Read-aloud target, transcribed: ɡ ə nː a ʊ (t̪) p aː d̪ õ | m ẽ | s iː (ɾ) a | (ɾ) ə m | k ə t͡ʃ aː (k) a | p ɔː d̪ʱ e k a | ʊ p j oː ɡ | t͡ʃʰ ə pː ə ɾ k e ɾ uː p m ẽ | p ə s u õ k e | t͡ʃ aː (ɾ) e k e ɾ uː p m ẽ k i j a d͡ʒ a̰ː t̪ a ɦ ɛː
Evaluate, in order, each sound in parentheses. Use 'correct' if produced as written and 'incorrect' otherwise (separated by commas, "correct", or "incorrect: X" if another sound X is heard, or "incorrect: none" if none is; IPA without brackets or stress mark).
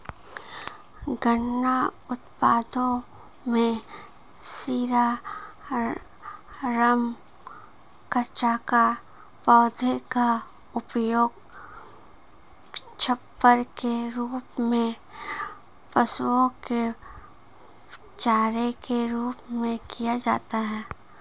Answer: correct, correct, correct, correct, correct